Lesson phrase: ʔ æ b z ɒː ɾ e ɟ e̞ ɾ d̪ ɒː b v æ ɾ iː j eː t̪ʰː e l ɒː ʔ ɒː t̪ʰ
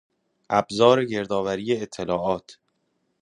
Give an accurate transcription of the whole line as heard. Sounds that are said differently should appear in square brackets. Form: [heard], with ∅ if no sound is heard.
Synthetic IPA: ʔ æ b z ɒː ɾ e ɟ e̞ ɾ d̪ ɒː [∅] v æ ɾ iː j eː t̪ʰː e l ɒː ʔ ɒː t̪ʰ